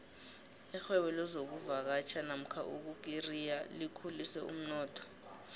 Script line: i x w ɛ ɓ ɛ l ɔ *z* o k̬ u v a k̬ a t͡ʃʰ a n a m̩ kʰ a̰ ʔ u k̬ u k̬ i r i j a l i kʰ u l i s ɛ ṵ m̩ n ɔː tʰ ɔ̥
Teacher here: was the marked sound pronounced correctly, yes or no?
yes